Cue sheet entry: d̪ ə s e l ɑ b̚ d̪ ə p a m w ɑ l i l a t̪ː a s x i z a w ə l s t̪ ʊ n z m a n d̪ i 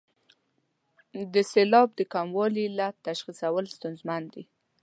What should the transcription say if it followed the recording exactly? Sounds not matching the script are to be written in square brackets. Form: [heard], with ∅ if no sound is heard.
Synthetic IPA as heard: d̪ ə s e l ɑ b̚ d̪ ə [k] a m w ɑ l i l a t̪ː a [ʃ] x i [s] a w ə l s t̪ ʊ n z m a n d̪ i

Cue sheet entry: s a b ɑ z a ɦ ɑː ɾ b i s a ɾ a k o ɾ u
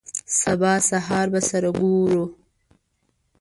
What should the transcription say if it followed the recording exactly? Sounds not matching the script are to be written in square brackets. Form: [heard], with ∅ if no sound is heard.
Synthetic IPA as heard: s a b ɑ [s] a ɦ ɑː ɾ b [a] s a ɾ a [ɡ] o ɾ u

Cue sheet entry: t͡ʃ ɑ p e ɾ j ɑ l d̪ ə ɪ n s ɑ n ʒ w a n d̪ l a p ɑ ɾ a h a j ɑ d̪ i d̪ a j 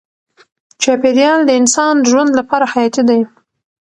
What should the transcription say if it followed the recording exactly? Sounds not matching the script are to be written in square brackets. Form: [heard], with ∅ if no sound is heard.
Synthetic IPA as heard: t͡ʃ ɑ p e ɾ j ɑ l d̪ ə ɪ n s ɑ n ʒ w a n d̪ l a p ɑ ɾ a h a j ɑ [t̪] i d̪ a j

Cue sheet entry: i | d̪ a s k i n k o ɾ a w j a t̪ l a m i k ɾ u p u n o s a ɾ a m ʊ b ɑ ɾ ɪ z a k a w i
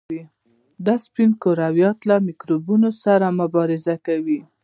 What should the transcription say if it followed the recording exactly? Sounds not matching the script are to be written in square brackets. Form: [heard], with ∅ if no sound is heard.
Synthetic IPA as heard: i | d̪ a s [p] i n k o ɾ a w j [ɑ] t̪ l a m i k ɾ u [b] u n o s a ɾ a m ʊ b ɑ ɾ ɪ z a k a w i

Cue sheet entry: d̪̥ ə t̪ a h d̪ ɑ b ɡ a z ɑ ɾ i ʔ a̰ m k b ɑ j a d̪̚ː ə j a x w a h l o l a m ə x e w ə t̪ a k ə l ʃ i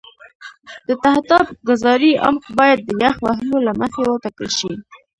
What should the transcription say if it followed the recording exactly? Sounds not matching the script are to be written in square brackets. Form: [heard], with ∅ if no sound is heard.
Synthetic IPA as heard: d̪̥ ə t̪ a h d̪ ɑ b ɡ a z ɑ ɾ i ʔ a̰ m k b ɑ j a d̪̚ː ə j a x w a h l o l a m ə x e w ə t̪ a k ə l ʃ i

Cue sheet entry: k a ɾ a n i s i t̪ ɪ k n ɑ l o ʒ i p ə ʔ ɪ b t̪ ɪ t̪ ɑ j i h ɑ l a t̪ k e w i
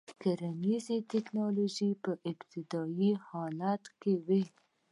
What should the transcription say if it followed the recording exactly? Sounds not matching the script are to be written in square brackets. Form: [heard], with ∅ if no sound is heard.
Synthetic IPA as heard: k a ɾ a n i [z] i t̪ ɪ k n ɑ l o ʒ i p ə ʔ ɪ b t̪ ɪ [d̪] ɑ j i h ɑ l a t̪ k e w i

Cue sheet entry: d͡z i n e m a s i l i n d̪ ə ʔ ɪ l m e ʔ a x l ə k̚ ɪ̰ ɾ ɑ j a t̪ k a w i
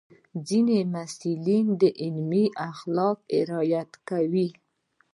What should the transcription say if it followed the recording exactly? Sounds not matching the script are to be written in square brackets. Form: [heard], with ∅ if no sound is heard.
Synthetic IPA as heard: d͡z i n e m a s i l i n d̪ ə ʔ ɪ l m [i] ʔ a x l [ɑ] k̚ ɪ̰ ɾ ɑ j a t̪ k a w i

